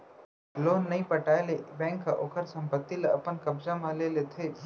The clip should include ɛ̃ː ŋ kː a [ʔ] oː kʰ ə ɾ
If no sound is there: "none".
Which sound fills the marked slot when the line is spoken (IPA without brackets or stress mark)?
ʔ